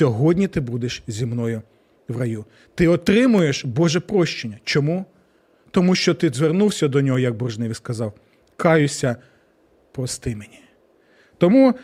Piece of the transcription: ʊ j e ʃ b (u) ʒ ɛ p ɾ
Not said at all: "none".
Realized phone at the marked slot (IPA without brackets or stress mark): ɔ